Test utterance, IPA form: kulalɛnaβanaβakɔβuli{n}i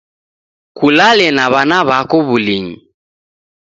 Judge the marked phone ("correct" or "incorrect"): incorrect